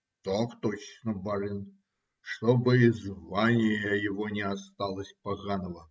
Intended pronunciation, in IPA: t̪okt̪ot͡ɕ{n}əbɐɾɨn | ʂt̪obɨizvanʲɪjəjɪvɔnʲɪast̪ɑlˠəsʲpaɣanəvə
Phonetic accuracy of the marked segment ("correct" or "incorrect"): correct